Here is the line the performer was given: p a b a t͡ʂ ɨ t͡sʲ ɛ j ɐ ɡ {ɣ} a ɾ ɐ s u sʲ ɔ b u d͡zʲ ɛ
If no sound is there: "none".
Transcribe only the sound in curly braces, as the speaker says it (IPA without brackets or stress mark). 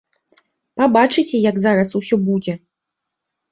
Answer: z